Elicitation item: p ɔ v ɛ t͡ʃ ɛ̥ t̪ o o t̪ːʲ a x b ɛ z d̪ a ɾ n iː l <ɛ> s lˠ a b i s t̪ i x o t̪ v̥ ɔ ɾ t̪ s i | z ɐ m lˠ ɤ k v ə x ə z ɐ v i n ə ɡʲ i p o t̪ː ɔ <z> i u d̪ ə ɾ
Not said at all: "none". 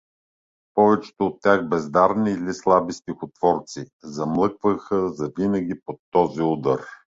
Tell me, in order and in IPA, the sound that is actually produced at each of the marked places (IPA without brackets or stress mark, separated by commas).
i, z